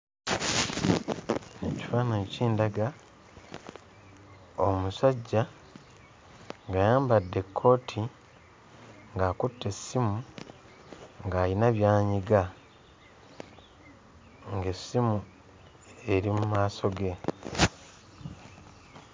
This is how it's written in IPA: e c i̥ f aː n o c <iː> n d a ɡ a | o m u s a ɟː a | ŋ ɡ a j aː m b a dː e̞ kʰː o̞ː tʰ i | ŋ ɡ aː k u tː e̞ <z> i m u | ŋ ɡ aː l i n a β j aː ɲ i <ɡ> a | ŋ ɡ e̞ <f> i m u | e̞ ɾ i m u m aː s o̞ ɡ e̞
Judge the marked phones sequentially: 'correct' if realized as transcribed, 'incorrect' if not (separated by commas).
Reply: correct, incorrect, correct, incorrect